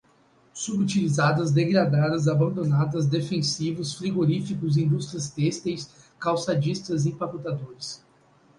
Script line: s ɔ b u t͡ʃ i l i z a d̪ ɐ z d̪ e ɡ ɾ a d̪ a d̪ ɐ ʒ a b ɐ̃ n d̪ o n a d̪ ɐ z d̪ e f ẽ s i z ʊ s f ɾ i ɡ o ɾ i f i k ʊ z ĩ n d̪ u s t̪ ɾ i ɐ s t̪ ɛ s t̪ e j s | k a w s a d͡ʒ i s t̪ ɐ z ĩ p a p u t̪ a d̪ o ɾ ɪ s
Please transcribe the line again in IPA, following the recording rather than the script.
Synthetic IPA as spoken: s u b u t͡ʃ i l i z a d̪ ɐ z d̪ e ɡ ɾ a d̪ a d̪ ɐ z a b ɐ̃ n d̪ o n a d̪ ɐ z d̪ e f ẽ s i v ʊ s f ɾ i ɡ o ɾ i f i k ʊ z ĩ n d̪ u s t̪ ɾ i ɐ s t̪ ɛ s t̪ e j s | k a w s a d͡ʒ i s t̪ ɐ z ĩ p a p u t̪ a d̪ o ɾ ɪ s